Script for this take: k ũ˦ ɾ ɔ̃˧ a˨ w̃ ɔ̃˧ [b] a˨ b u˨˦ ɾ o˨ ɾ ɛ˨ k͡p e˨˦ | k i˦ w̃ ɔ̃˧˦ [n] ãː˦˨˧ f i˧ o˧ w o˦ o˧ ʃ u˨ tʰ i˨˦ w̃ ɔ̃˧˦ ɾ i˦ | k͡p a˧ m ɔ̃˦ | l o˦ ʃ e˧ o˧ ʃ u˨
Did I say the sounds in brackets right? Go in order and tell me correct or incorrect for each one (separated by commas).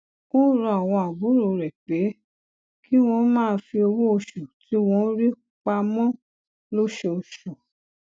incorrect, incorrect